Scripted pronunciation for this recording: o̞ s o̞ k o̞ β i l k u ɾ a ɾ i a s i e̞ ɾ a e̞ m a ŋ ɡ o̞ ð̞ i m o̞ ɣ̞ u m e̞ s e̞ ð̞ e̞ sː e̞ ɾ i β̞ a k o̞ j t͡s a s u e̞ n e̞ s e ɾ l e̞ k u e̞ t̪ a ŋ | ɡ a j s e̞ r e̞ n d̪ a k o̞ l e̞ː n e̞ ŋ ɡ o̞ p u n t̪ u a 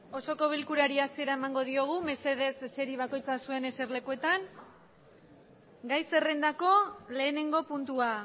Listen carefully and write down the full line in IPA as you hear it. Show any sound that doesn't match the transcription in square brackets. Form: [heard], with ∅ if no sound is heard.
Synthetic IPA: o̞ s o̞ k o̞ β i l k u ɾ a ɾ i a s i e̞ ɾ a e̞ m a ŋ ɡ o̞ ð̞ i [∅] o̞ ɣ̞ u m e̞ s e̞ ð̞ e̞ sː e̞ ɾ i β̞ a k o̞ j t͡s a s u e̞ n e̞ s e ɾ l e̞ k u e̞ t̪ a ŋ | ɡ a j s e̞ r e̞ n d̪ a k o̞ l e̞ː n e̞ ŋ ɡ o̞ p u n t̪ u a